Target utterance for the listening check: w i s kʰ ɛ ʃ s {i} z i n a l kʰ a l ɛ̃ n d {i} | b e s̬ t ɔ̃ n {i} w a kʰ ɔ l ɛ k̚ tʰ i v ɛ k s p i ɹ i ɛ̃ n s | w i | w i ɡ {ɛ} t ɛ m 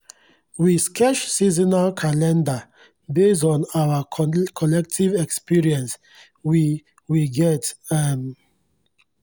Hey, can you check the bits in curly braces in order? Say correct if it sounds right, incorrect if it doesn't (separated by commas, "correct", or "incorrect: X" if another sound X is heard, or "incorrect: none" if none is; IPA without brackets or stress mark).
correct, incorrect: a, incorrect: a, correct